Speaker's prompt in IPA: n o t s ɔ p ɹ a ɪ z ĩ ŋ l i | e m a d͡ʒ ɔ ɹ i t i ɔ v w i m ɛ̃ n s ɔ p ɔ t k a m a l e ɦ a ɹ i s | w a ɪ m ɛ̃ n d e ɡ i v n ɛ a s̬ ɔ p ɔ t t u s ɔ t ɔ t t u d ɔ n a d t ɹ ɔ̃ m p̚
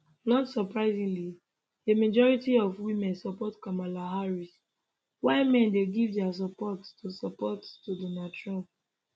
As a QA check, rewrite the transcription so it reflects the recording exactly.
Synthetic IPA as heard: n ɔ t s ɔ p ɹ a ɪ z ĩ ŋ l i | e m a d͡ʒ ɔ ɹ i t i ɔ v w i m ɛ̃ n s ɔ p ɔ t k a m a l a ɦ a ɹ i s | w a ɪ m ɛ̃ n d e ɡ i v d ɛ a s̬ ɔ p ɔ t t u s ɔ p ɔ t t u d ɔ n a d t ɹ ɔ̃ m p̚